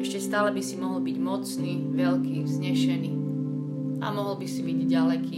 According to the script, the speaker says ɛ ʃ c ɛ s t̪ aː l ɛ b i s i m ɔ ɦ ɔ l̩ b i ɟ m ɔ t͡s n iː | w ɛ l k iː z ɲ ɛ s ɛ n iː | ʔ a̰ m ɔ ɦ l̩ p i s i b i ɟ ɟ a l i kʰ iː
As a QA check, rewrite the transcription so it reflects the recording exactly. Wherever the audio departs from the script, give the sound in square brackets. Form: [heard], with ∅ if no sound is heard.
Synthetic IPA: ɛ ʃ c ɛ s t̪ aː l ɛ b i s i m ɔ ɦ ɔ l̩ b i ɟ m ɔ t͡s n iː | [ʋ] ɛ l k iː z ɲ ɛ [ʃ] ɛ n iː | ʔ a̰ m ɔ ɦ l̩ [b] i s i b i ɟ ɟ a l [ɛ] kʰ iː